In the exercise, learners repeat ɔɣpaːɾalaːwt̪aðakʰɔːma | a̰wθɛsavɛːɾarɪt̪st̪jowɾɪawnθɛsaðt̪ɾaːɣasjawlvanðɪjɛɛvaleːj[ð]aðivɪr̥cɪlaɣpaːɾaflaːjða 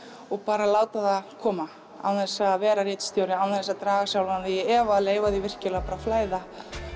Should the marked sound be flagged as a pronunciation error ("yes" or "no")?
yes